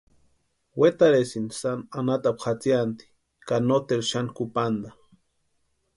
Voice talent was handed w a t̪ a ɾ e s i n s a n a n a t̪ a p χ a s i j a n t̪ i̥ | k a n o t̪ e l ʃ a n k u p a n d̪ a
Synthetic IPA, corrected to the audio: w e t̪ a ɾ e s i n s a n a n a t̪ a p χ a t͡s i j a n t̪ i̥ | k a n o t̪ e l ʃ a n k u p a n d̪ a

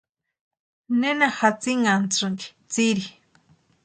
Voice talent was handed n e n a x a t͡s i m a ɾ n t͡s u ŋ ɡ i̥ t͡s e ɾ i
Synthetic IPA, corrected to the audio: n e n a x a t͡s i ŋ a n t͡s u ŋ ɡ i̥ t͡s i ɾ i

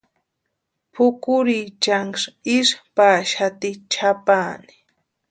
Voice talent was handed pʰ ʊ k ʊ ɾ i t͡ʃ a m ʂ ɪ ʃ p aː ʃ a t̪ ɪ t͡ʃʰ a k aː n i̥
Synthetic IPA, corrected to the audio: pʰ ʊ k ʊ ɾ i t͡ʃ a ŋ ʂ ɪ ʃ p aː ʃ a t̪ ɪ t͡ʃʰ a p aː n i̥

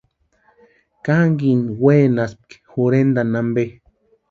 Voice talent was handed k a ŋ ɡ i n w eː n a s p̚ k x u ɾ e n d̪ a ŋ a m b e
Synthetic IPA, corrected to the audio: k a ŋ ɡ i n w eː n a s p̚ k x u ɾ e n d̪ a n a m b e

